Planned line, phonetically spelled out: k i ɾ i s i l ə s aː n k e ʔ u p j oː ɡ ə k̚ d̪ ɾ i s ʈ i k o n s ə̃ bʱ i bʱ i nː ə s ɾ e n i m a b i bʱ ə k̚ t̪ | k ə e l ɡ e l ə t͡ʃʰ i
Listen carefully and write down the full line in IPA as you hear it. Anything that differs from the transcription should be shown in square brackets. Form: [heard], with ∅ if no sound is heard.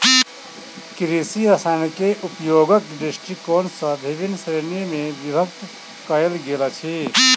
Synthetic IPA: k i ɾ i s i [ɾ] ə s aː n k e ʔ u p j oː ɡ ə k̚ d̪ ɾ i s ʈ i k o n s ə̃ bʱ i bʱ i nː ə s ɾ e n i m [e] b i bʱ ə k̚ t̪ | k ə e l ɡ e l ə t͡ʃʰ i

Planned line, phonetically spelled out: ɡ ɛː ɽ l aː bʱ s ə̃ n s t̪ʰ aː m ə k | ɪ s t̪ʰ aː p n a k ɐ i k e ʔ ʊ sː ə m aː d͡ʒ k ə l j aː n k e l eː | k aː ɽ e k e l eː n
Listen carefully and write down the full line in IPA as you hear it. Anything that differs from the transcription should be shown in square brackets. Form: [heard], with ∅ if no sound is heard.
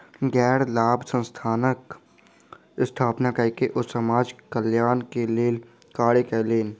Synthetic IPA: ɡ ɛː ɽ l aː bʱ s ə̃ n s t̪ʰ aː [n] ə k | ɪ s t̪ʰ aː p n a k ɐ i k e ʔ ʊ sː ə m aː d͡ʒ k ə l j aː n k e l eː | k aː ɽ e k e l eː n

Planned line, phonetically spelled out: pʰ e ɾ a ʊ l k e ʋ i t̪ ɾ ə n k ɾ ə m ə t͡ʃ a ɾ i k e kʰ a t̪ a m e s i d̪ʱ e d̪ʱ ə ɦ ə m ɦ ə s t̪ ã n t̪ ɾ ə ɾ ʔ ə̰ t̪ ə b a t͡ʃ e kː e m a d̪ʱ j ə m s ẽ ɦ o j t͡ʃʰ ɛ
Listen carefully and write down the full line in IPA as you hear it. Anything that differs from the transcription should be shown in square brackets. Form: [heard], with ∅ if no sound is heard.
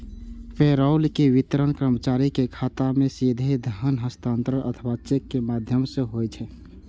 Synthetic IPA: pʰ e ɾ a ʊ l k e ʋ i t̪ ɾ ə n k ɾ ə m ə t͡ʃ a ɾ i k e kʰ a t̪ a m e s i d̪ʱ e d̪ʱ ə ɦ ə [n] ɦ ə s t̪ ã n t̪ ɾ ə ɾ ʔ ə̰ [t̪ʰ] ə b a t͡ʃ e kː e m a d̪ʱ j ə m s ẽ ɦ o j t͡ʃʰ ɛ

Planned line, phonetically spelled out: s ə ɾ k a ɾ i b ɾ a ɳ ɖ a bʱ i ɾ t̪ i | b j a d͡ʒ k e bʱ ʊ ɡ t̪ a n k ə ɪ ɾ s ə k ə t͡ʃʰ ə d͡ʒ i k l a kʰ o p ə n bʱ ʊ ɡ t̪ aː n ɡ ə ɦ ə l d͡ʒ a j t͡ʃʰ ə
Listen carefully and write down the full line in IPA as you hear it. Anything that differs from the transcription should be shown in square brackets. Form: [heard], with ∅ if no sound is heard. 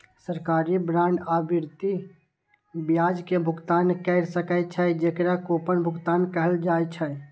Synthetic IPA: s ə ɾ k a ɾ i b ɾ a ɳ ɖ a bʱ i ɾ t̪ i | b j a d͡ʒ k e bʱ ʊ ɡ t̪ a n k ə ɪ ɾ s ə k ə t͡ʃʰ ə d͡ʒ [e] k [ɾ] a [k] o p ə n bʱ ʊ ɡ t̪ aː n [k] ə ɦ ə l d͡ʒ a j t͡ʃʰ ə

